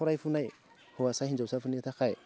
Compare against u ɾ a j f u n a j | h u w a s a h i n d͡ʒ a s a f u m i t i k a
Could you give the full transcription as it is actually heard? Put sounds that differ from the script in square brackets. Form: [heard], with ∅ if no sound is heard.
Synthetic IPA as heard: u ɾ a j f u n a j | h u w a s a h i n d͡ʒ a s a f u [n] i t [a] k a